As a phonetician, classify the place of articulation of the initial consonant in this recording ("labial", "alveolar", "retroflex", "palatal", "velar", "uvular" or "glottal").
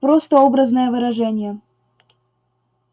labial